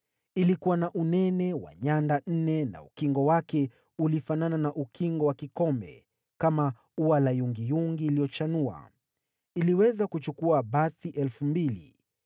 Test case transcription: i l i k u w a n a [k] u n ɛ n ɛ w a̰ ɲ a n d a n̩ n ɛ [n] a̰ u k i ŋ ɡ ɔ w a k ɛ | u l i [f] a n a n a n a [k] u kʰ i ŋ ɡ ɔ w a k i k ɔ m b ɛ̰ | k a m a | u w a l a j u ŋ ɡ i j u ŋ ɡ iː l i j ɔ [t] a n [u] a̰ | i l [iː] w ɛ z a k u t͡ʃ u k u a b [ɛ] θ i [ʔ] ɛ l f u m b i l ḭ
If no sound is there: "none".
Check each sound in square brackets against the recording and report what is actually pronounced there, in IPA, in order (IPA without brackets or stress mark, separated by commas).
ʔ, n, f, ʔ, t͡ʃ, u, i, a, ʔ